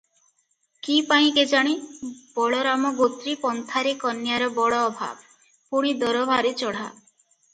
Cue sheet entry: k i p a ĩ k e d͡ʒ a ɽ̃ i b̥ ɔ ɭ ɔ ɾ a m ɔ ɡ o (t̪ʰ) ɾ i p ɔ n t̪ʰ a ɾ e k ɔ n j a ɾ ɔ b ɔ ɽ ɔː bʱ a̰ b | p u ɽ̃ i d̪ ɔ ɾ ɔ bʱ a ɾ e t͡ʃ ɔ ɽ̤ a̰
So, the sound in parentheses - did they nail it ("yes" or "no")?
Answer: no